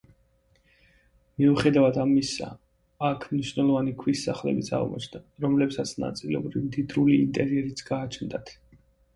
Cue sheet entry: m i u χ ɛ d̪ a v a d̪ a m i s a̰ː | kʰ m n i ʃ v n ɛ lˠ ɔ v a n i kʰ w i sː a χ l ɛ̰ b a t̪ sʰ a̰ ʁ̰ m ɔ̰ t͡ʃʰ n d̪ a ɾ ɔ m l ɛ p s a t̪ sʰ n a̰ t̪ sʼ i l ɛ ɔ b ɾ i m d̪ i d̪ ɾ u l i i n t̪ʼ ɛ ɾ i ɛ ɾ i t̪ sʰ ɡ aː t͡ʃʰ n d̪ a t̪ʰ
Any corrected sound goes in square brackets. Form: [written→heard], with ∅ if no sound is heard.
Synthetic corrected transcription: m i u χ ɛ d̪ a v a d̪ a m i s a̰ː | kʰ m n i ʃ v n ɛ lˠ ɔ v a n i kʰ w i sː a χ l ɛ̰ b [a→i] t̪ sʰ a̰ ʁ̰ m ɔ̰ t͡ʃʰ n d̪ a ɾ ɔ m l ɛ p s a t̪ sʰ n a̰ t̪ sʼ i l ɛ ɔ b ɾ i m d̪ i d̪ ɾ u l i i n t̪ʼ ɛ ɾ i ɛ ɾ i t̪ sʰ ɡ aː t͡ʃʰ n d̪ a t̪ʰ